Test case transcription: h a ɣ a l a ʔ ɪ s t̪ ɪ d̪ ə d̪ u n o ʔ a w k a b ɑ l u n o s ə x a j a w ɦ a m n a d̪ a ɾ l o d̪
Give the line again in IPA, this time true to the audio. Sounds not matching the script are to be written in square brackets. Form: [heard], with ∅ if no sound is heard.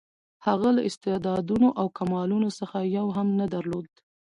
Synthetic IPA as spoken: h a ɣ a l a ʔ ɪ s t̪ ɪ d̪ [ɑ] d̪ u n o ʔ a w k a [m] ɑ l u n o s ə x a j a w ɦ a m n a d̪ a ɾ l o d̪